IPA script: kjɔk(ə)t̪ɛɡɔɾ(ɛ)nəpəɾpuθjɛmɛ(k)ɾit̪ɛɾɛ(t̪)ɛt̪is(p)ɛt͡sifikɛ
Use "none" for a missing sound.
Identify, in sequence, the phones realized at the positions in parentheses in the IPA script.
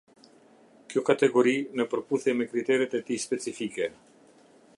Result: a, i, k, t̪, p

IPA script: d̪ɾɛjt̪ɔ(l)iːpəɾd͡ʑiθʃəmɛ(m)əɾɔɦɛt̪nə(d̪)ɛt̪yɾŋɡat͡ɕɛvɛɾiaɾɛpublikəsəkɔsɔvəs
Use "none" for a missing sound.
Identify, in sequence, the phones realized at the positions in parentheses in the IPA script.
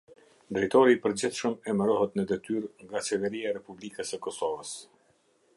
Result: ɾ, m, d̪

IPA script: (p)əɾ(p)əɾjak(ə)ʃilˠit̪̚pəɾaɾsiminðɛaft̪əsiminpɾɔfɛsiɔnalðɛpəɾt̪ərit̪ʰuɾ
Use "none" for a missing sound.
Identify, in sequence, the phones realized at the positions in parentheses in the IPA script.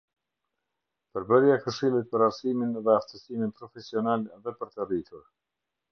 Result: p, b, ə

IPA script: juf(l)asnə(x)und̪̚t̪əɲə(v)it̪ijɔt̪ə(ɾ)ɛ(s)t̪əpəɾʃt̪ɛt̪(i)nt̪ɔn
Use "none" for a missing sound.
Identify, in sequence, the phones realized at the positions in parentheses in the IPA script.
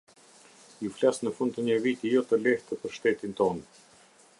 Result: l, f, v, l, h, i

